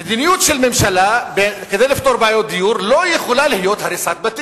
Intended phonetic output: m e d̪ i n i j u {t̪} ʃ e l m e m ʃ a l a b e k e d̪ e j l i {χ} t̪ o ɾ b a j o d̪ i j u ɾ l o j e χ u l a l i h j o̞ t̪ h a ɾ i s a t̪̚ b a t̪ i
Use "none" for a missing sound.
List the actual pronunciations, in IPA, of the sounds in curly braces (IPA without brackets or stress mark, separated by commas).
t̪, f